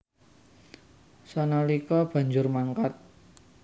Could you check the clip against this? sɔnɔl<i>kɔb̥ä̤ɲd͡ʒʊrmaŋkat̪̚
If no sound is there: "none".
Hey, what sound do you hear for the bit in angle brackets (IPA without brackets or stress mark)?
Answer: i